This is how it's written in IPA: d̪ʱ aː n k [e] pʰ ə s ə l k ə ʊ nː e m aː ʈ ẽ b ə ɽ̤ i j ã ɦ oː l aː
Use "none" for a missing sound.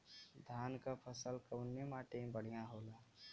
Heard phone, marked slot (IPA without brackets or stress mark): a